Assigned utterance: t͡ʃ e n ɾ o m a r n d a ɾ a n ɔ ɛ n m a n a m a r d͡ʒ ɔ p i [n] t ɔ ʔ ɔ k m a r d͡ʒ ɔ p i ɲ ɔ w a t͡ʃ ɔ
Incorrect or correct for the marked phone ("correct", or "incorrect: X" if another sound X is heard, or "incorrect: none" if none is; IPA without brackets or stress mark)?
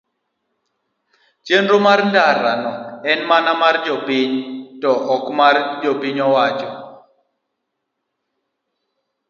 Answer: incorrect: ɲ